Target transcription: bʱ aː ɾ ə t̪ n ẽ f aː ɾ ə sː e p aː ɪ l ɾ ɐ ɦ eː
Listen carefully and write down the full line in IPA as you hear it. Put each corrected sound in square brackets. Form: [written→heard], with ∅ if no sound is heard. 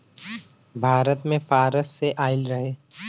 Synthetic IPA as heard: bʱ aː ɾ ə t̪ [n→m] ẽ f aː ɾ ə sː e [p→ʔ] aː ɪ l ɾ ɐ ɦ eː